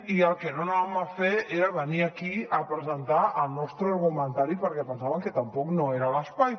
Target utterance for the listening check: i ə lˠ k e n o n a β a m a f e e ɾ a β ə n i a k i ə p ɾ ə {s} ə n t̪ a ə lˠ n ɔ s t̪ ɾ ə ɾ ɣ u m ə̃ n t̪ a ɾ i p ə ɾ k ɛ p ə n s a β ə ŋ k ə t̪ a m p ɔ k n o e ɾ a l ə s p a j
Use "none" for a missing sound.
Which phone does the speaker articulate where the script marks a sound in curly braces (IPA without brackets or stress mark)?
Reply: z